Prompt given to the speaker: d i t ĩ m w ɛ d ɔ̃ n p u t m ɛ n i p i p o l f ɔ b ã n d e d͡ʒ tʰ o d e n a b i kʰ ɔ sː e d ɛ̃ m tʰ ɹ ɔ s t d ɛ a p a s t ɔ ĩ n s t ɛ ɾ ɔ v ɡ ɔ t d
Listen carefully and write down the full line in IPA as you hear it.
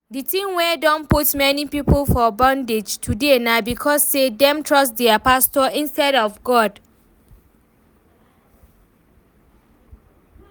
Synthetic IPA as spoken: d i t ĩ m w ɛ d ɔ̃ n p u t m ɛ n i p i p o l f ɔ b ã n d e d͡ʒ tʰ u d e n a b i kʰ ɔ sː e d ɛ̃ m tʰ ɹ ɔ s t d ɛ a p a s t ɔ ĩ n s t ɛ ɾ ɔ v ɡ ɔ d